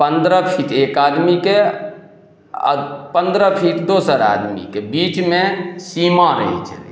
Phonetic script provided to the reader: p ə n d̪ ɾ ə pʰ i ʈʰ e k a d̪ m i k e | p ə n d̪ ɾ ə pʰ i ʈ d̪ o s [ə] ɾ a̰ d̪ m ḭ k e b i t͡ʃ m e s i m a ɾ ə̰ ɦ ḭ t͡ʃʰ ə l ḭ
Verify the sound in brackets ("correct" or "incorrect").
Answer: correct